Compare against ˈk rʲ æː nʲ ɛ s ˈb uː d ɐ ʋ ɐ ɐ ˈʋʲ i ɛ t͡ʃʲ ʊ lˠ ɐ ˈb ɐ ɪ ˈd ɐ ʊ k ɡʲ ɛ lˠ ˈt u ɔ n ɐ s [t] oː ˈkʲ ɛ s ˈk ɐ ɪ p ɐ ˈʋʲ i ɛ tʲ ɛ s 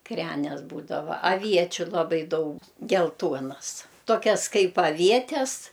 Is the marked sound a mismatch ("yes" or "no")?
no